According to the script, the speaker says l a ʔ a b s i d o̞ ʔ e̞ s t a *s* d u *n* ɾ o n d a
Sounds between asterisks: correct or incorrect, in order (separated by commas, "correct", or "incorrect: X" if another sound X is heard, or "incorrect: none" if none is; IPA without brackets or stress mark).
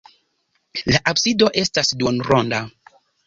correct, correct